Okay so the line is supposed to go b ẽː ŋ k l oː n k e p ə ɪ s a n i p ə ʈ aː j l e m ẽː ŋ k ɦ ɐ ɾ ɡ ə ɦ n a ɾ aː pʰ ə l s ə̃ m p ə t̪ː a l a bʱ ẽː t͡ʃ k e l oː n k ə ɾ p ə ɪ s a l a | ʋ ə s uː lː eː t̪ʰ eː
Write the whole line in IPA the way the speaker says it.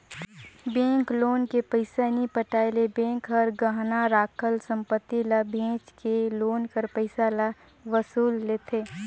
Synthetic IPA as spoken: b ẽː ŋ k l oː n k e p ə ɪ s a n i p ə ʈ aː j l e b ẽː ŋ k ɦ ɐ ɾ ɡ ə ɦ n a ɾ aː kʰ ə l s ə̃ m p ə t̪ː i l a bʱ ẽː t͡ʃ k e l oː n k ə ɾ p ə ɪ s a l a | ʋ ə s uː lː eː t̪ʰ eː